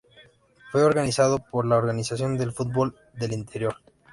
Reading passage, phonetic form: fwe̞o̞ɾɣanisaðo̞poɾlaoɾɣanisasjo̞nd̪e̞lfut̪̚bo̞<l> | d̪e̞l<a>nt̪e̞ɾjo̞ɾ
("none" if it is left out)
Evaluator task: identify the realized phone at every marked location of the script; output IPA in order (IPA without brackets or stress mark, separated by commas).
l, i